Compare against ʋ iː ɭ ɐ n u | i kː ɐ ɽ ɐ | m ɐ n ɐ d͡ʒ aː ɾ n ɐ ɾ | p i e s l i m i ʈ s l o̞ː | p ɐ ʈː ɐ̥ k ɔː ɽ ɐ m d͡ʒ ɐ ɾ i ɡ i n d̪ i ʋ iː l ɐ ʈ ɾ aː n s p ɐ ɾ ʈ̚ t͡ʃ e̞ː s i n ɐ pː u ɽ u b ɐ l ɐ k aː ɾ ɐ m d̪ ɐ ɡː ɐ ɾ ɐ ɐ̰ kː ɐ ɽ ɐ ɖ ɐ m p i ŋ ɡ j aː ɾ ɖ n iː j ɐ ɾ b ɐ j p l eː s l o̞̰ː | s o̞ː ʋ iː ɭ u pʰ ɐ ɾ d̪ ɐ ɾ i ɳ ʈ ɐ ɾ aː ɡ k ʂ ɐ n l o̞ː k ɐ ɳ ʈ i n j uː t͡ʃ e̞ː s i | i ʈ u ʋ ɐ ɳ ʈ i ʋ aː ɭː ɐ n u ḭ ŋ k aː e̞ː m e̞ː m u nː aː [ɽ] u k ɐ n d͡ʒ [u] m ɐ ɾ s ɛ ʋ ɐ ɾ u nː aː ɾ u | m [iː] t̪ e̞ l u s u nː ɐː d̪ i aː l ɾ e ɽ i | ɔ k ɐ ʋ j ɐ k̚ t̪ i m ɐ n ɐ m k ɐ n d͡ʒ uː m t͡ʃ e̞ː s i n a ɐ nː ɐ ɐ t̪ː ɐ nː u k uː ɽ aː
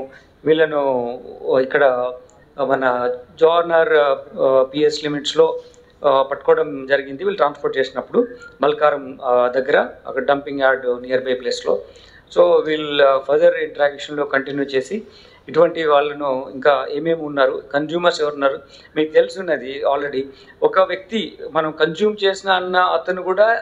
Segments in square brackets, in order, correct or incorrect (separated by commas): incorrect, incorrect, correct